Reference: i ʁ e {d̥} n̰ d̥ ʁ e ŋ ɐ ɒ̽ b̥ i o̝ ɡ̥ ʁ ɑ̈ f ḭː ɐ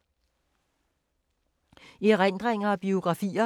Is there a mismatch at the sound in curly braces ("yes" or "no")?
yes